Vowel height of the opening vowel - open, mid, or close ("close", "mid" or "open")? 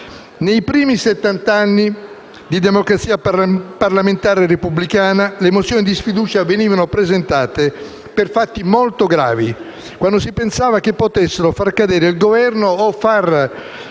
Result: mid